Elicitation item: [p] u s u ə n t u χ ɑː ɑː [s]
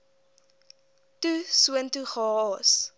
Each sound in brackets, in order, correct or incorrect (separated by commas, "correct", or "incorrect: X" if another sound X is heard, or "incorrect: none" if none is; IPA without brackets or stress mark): incorrect: t, correct